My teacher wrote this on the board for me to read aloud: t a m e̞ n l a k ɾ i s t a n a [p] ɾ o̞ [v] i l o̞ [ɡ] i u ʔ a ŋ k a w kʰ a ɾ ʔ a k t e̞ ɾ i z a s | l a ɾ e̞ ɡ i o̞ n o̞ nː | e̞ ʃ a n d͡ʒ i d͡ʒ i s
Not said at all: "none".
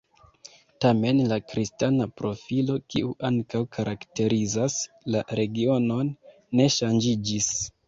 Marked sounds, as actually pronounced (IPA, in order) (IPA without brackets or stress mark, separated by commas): p, f, k